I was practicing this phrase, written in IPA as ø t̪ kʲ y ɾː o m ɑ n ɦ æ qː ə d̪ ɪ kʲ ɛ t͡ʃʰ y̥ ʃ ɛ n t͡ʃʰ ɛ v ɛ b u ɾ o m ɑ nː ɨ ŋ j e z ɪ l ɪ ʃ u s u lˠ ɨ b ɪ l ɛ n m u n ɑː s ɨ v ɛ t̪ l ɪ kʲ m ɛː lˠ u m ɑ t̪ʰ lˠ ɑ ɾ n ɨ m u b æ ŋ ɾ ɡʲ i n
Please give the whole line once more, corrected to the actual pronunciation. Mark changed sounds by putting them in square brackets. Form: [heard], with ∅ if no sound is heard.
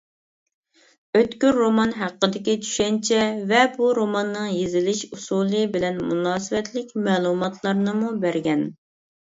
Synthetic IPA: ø t̪ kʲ y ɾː o m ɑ n ɦ æ qː ə d̪ ɪ kʲ [i] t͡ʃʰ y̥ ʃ ɛ n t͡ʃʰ ɛ v ɛ b u ɾ o m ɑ nː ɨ ŋ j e z ɪ l ɪ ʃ u s u lˠ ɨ b ɪ l ɛ n m u n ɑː s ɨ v ɛ t̪ l ɪ kʲ m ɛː lˠ u m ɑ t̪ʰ lˠ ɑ ɾ n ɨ m u b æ [∅] ɾ ɡʲ [ɛ] n